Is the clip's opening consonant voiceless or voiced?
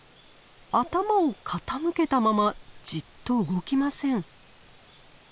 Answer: voiceless